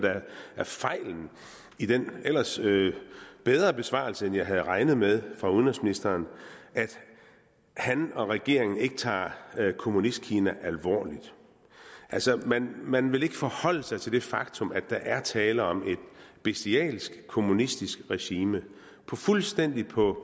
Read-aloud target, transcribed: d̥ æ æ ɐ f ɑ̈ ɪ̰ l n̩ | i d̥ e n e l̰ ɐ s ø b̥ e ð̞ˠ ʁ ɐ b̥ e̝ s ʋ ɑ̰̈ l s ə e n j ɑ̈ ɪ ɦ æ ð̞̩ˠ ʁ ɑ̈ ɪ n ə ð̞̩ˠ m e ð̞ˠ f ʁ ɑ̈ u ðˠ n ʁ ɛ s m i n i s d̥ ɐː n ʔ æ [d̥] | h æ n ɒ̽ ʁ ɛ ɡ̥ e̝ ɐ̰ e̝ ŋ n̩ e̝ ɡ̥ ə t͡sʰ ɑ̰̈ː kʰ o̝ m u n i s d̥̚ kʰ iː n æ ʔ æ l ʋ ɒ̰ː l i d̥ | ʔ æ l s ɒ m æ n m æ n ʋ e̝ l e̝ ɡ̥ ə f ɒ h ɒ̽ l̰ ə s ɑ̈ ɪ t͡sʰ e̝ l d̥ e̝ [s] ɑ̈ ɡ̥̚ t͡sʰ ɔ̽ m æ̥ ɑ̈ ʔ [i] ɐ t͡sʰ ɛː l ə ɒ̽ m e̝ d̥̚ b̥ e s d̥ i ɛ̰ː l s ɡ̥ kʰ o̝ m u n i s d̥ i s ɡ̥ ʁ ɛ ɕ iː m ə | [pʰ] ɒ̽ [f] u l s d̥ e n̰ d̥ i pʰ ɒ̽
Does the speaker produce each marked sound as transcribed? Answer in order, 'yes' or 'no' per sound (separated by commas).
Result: yes, no, no, yes, yes